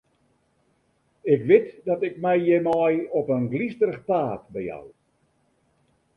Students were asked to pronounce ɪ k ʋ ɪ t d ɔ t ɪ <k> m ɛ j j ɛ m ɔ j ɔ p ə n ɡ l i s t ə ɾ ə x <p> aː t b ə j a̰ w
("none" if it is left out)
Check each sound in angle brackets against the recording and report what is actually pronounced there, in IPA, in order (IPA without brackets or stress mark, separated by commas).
k, p